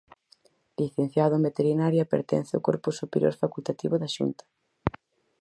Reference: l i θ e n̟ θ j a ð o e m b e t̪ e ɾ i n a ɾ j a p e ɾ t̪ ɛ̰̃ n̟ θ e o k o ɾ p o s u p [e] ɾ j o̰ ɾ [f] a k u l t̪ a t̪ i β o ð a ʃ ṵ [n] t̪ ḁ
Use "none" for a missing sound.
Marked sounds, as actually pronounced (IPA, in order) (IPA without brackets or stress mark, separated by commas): e, f, n